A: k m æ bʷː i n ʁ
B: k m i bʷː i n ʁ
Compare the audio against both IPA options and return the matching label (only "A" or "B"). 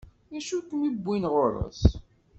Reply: B